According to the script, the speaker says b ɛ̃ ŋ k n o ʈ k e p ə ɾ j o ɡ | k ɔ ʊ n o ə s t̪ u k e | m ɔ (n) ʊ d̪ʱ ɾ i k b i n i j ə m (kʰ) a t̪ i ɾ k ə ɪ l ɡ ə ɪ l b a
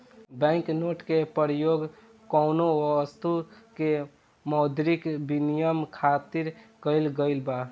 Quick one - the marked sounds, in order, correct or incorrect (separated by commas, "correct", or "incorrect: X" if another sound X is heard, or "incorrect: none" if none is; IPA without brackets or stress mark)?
incorrect: none, correct